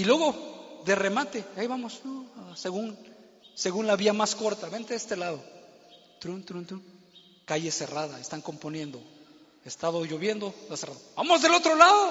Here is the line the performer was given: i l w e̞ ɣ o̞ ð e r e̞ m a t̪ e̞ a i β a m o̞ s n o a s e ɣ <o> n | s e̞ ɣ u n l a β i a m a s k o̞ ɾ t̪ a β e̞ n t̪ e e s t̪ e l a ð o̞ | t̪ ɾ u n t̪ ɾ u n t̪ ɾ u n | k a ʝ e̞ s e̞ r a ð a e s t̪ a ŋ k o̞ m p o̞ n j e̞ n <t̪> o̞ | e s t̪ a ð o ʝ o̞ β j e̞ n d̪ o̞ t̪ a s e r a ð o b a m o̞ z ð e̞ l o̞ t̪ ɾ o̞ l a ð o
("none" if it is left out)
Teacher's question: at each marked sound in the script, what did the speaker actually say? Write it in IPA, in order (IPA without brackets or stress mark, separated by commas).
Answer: u, d̪